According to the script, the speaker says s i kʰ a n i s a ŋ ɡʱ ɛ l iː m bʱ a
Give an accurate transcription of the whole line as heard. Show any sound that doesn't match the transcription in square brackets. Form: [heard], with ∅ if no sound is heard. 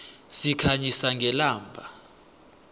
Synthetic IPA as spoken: s i kʰ a [ɲ] i s a ŋ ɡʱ ɛ l [aː] m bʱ a